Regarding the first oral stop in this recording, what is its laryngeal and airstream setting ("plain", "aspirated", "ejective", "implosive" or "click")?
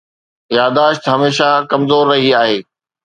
plain